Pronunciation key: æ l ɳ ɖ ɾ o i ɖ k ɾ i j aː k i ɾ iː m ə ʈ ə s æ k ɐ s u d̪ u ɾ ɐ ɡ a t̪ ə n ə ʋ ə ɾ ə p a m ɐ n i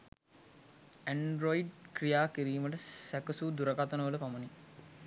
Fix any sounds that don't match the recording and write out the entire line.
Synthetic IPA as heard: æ ɳ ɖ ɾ o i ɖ k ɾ i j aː k i ɾ iː m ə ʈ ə s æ k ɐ s u d̪ u ɾ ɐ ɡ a t̪ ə n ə ʋ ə l ə p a m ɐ n i